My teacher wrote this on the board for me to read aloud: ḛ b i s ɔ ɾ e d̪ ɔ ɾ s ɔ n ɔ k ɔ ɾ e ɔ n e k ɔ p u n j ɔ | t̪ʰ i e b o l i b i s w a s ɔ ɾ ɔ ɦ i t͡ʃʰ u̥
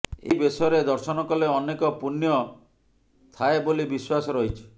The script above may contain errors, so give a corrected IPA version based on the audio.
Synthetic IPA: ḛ b e s ɔ ɾ e d̪ ɔ ɾ s ɔ n ɔ k ɔ l e ɔ n e k ɔ p u n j ɔ | t̪ʰ a e b o l i b i s w a s ɔ ɾ ɔ ɦ i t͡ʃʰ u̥